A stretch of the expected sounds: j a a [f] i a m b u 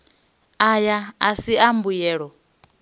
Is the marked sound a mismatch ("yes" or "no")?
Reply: yes